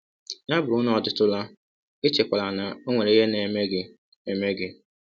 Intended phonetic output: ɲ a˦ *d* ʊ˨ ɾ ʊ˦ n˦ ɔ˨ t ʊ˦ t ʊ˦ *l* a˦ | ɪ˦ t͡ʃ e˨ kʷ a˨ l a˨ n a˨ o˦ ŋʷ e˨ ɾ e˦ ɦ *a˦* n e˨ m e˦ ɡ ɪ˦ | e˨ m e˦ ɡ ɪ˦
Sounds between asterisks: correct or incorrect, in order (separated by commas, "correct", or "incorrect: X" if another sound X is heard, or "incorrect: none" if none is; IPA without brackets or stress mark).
incorrect: b, correct, incorrect: e˦